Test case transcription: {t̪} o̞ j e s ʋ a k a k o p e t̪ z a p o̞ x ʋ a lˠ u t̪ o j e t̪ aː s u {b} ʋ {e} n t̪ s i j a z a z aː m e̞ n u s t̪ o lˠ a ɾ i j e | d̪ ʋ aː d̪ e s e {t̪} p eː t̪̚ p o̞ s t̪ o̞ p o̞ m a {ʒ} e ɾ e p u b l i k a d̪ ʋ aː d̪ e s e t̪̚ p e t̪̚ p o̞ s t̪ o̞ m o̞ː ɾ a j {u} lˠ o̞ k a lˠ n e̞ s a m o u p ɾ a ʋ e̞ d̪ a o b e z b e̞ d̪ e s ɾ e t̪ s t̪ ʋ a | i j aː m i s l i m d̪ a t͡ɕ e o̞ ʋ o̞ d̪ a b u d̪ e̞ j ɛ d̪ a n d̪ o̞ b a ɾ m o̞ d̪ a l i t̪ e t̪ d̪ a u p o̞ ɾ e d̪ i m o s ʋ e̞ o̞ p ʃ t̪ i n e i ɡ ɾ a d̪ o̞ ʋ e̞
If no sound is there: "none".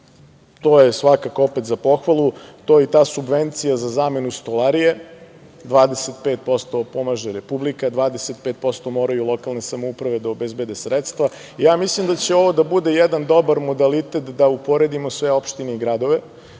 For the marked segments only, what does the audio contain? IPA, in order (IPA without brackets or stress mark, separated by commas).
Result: t̪, b, e, t̪, ʒ, u